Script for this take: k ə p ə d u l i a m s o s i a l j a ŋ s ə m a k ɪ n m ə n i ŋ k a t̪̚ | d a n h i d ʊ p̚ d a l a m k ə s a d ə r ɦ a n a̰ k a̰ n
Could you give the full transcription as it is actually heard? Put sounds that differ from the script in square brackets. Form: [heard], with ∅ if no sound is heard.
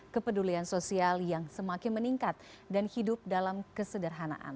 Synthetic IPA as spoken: k ə p ə d u l i a [n] s o s i a l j a ŋ s ə m a k ɪ n m ə n i ŋ k a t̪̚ | d a n h i d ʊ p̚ d a l a m k ə s [ə] d ə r ɦ a n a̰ [ʔ] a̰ n